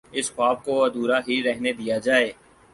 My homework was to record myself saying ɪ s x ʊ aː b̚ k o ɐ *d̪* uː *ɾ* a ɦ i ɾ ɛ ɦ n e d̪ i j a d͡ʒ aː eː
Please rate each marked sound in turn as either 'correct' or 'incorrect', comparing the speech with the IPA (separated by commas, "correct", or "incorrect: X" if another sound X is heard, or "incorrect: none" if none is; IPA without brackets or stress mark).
correct, correct